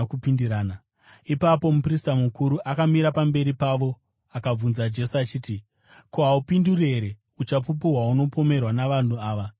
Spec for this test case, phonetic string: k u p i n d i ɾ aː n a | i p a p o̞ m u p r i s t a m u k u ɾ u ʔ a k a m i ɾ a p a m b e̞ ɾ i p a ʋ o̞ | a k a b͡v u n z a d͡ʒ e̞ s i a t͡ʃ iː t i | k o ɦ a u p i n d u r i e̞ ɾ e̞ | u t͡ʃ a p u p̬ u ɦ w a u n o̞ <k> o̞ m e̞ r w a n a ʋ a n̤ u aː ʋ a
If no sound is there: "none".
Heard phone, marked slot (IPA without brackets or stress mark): p